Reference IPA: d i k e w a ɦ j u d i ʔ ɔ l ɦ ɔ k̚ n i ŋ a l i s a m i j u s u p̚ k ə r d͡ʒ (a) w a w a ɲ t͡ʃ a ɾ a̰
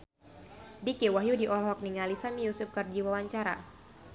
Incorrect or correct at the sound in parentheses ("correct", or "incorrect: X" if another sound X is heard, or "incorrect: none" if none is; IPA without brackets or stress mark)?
incorrect: i